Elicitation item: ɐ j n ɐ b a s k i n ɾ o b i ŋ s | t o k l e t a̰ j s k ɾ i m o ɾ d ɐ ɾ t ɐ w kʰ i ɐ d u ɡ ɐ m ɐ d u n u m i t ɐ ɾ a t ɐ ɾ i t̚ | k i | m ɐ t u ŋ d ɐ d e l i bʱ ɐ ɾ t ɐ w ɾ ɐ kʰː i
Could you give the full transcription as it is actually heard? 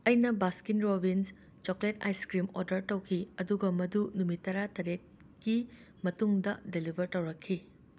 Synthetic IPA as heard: ɐ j n ɐ b a s k i n ɾ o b i n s | t͡ʃ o k l e t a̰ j s k ɾ i m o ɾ d ɐ ɾ t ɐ w kʰ i ɐ d u ɡ ɐ m ɐ d u n u m i t ɐ ɾ a t ɐ ɾ e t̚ | k i | m ɐ t u ŋ d ɐ d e l i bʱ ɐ ɾ t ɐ w ɾ ɐ kʰː i